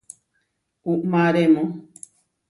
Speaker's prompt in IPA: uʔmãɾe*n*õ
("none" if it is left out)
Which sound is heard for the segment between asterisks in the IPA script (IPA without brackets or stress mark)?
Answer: m